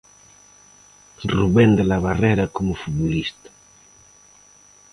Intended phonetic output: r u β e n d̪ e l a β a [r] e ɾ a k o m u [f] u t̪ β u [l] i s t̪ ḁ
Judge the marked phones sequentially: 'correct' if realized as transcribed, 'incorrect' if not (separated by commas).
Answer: correct, correct, correct